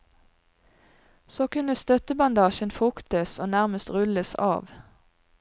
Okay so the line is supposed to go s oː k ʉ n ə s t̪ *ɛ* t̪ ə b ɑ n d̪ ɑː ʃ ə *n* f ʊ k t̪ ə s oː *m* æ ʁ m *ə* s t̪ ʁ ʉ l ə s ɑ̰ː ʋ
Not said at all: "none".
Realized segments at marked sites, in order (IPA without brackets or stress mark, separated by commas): œ, n, n, ə